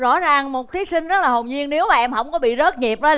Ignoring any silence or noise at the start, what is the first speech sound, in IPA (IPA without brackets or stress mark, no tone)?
z